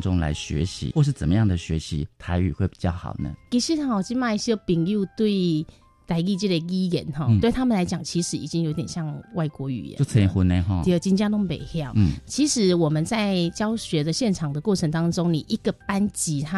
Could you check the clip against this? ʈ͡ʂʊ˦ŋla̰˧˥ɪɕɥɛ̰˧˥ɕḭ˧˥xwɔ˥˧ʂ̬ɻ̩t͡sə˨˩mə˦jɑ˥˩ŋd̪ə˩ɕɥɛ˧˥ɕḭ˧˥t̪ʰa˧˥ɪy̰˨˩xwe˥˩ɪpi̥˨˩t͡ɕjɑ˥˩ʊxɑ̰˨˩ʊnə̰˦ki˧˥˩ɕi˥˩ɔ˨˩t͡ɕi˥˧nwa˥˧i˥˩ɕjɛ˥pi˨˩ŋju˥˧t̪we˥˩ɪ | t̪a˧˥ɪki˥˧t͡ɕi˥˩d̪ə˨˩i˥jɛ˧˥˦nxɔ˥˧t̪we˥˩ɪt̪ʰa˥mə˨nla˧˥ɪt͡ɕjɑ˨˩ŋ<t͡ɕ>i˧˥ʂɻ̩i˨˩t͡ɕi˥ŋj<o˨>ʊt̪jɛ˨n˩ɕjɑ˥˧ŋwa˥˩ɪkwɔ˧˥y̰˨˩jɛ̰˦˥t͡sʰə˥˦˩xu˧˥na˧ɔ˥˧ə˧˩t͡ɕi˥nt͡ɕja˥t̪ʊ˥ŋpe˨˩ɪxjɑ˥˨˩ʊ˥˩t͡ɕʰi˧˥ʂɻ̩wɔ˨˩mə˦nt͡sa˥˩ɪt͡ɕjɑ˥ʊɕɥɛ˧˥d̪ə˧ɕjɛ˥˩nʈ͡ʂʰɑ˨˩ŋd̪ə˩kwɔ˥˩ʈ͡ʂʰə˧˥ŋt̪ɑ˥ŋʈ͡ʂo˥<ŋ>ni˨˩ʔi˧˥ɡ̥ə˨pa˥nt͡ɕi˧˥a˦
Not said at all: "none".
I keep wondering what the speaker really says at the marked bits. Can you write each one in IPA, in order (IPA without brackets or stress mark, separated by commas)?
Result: t͡ɕʰ, o˧˥, ŋ